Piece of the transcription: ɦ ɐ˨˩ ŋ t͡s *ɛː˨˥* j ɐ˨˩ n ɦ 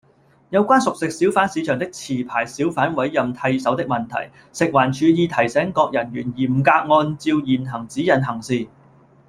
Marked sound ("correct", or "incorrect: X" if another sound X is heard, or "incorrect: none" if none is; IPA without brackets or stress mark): incorrect: iː˨˥